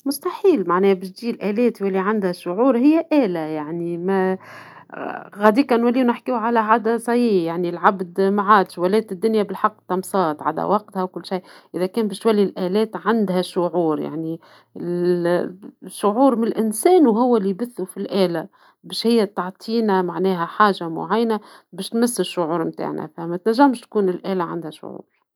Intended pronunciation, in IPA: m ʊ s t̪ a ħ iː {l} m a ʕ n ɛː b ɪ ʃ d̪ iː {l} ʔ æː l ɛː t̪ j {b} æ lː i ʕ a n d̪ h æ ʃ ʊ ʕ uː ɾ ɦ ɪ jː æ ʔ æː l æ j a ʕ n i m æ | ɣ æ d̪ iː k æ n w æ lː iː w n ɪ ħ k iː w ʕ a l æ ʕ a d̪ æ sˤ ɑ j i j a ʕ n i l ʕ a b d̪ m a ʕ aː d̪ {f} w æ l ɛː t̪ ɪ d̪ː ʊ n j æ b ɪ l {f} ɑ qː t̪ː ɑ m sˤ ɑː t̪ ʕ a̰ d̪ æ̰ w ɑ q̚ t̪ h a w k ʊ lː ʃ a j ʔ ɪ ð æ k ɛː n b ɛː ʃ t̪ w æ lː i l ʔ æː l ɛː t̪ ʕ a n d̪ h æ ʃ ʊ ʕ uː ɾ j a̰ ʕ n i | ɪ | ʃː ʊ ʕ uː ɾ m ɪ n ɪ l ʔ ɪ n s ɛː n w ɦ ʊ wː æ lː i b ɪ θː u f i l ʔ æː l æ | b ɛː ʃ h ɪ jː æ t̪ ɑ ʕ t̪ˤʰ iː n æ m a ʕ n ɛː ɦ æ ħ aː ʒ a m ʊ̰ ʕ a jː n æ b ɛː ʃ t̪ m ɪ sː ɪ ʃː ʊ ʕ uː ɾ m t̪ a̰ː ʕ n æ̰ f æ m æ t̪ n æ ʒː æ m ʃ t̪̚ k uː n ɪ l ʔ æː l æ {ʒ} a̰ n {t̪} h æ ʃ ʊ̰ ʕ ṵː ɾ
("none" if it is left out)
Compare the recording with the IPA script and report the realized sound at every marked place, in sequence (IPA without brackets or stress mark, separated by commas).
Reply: l, l, w, ʃ, ħ, ʕ, d̪